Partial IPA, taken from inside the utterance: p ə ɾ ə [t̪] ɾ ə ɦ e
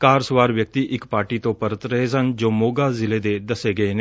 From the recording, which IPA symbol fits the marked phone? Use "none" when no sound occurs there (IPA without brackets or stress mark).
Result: t̪